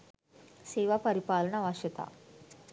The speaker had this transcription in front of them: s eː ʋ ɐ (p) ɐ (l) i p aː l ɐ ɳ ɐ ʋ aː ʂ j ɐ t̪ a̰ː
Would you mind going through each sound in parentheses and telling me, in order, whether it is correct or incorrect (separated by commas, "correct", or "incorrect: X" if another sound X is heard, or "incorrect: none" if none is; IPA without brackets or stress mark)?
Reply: correct, incorrect: ɾ